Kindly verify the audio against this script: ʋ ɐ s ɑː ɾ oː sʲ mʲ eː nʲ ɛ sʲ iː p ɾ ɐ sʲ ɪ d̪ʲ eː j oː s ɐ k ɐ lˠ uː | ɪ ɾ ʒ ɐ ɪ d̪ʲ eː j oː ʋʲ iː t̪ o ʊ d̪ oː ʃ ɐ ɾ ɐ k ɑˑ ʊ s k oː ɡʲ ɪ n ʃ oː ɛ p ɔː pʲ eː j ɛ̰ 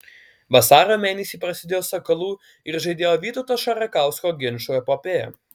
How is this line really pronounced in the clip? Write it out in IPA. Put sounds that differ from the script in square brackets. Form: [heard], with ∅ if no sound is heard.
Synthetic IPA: ʋ ɐ s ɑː ɾ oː [∅] mʲ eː nʲ ɛ sʲ iː p ɾ ɐ sʲ ɪ d̪ʲ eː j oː s ɐ k ɐ lˠ uː | ɪ ɾ ʒ ɐ ɪ d̪ʲ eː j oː ʋʲ iː t̪ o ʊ [t̪] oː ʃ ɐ ɾ ɐ k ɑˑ ʊ s k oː ɡʲ ɪ n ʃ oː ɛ p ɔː pʲ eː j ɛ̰